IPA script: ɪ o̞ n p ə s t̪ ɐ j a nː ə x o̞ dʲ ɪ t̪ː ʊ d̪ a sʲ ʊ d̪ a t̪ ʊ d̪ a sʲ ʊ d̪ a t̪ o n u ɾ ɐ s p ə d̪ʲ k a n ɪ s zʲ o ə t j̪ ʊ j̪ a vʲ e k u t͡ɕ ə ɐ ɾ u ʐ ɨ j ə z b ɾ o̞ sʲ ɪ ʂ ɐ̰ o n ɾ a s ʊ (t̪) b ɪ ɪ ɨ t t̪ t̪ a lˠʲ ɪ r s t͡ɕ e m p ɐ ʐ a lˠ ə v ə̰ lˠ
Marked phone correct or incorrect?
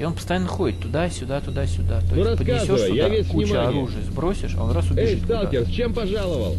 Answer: incorrect